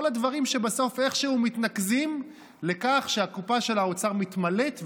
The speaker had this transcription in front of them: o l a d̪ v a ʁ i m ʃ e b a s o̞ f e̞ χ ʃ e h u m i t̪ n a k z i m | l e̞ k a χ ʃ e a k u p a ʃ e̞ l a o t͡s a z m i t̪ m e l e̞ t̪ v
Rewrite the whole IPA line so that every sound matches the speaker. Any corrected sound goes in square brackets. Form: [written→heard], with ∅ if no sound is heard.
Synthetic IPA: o l a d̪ v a ʁ i m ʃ e b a s o̞ f e̞ χ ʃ e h u m i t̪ n a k z i m | l e̞ k a χ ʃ e a k u p a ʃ e̞ l a o t͡s a [z→ʁ] m i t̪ m [e→a] l e̞ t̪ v